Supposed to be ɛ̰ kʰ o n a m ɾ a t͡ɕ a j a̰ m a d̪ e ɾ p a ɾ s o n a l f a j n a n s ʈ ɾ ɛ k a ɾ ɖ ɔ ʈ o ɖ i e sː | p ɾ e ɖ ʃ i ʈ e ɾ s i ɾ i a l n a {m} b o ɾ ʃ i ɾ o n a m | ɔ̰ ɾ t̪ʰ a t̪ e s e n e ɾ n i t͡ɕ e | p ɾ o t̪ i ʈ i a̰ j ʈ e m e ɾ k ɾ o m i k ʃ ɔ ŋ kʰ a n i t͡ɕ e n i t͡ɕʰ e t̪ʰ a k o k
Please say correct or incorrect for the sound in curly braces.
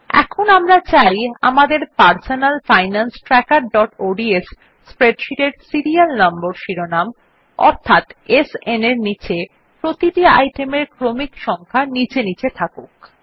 correct